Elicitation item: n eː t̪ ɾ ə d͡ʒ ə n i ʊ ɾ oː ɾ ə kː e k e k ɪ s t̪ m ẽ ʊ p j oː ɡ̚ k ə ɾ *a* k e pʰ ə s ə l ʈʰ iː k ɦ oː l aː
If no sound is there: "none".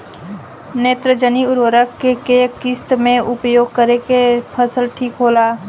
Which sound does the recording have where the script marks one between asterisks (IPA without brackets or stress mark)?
e